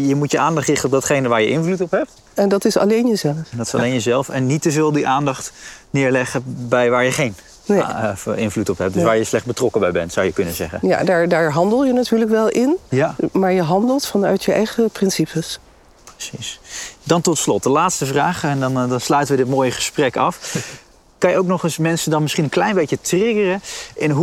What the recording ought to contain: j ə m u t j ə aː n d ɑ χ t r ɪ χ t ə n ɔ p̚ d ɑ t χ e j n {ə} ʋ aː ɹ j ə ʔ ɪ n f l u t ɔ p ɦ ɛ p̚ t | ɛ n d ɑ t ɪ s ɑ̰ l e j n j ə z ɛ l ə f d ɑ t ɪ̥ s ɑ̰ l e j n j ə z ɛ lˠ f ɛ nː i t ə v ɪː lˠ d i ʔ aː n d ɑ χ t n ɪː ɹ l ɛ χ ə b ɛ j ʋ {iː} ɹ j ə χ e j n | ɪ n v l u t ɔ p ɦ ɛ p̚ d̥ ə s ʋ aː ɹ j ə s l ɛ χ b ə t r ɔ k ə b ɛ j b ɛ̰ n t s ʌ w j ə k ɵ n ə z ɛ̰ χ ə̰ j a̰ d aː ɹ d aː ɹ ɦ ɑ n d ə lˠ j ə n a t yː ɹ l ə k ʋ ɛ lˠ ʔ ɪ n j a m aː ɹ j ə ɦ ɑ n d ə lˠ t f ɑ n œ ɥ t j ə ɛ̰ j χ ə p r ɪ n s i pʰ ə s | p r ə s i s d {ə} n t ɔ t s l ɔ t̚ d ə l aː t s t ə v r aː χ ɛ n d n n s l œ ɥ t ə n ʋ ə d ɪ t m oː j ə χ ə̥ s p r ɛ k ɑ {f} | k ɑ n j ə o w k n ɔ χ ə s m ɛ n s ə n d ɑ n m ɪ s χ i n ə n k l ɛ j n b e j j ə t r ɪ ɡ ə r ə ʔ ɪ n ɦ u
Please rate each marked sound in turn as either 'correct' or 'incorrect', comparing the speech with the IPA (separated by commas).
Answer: correct, incorrect, incorrect, correct